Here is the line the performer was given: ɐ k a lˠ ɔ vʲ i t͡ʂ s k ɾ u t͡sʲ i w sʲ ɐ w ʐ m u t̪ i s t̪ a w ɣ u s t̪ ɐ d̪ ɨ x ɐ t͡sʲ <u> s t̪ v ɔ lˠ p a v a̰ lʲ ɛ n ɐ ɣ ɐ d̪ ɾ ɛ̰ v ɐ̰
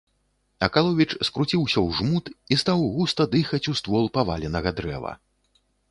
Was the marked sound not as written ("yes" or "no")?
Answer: no